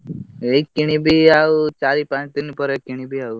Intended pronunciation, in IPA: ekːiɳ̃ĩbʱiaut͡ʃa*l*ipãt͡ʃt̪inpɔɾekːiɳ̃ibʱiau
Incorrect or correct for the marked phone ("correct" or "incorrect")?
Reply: incorrect